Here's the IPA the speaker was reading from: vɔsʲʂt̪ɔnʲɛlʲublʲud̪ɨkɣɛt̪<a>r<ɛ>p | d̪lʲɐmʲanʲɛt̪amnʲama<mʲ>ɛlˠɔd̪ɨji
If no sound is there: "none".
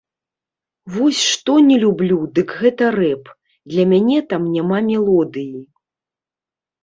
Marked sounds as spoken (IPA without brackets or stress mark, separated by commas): ɐ, ɛ, mʲ